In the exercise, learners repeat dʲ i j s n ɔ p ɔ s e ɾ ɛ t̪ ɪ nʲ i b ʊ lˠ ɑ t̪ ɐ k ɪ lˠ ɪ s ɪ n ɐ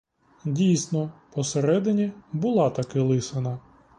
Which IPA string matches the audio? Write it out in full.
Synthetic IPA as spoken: dʲ i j s n ɔ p ɔ s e ɾ ɛ d̪ ɪ nʲ i b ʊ lˠ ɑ t̪ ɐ k ɪ lˠ ɪ s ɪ n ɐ